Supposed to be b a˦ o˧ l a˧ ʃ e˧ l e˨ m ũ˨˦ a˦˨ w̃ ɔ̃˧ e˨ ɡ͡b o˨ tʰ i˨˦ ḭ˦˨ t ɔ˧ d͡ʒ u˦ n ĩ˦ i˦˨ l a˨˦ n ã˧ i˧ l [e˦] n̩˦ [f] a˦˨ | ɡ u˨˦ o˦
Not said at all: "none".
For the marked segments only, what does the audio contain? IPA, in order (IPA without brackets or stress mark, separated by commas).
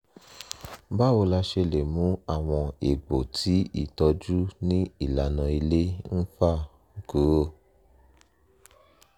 e˦, f